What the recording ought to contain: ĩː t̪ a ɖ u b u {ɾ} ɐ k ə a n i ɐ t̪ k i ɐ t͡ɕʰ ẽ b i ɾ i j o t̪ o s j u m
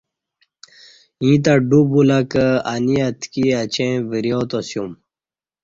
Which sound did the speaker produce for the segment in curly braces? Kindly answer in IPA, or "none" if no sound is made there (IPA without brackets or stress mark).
l